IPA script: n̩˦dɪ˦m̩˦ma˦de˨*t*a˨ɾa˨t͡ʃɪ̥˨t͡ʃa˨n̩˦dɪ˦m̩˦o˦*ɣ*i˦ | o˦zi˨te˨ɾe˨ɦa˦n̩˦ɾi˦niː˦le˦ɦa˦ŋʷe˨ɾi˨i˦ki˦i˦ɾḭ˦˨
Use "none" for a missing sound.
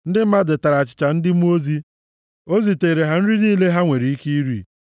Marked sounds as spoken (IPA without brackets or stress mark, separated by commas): t, z